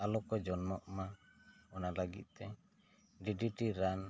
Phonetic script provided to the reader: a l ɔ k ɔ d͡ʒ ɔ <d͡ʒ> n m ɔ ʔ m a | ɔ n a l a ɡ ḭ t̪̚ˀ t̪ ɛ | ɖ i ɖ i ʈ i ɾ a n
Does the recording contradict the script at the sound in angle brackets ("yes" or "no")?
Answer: yes